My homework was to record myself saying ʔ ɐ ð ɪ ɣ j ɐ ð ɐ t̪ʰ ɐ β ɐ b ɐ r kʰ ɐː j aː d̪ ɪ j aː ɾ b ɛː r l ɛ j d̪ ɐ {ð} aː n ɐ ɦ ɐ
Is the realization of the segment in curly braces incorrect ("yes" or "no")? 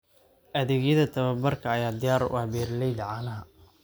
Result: yes